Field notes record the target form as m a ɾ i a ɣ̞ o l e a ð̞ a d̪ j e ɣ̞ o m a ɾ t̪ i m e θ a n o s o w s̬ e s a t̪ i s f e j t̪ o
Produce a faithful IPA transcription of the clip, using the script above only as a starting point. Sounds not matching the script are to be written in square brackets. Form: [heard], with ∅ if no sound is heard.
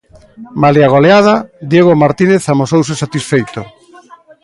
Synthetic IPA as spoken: m a [l] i a ɣ̞ o l e a ð̞ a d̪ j e ɣ̞ o m a ɾ t̪ i [n] e θ a [m] o s o w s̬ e s a t̪ i s f e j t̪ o